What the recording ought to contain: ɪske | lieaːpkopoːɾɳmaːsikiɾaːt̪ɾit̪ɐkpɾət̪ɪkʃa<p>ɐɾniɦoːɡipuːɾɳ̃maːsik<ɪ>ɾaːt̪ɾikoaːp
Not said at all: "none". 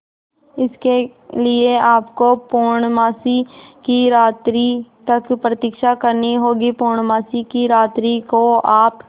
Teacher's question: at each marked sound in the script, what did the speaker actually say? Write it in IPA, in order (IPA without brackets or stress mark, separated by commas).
k, i